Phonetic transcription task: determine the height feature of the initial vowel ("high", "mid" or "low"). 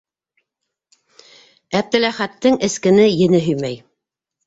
low